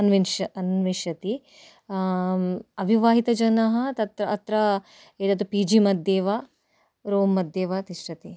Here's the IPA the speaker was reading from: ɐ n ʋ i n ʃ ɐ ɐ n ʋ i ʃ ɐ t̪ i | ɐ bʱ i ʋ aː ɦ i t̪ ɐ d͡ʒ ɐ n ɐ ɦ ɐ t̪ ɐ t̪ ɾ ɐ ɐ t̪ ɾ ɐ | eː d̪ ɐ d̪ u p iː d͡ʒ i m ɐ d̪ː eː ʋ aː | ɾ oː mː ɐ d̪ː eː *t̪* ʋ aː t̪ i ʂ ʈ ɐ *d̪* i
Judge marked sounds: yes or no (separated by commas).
no, no